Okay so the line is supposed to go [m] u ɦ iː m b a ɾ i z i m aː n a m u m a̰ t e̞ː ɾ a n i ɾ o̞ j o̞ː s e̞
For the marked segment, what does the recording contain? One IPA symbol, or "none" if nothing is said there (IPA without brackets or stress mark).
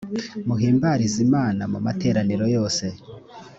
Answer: m